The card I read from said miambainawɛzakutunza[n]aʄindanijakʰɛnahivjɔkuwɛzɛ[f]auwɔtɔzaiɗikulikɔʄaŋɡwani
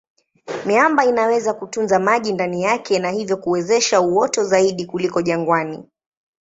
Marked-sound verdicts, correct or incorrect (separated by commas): incorrect, incorrect